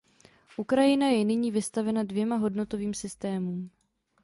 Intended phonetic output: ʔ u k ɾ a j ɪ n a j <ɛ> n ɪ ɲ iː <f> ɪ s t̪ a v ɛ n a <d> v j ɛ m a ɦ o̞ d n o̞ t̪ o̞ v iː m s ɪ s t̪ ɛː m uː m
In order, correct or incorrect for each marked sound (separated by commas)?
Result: correct, incorrect, correct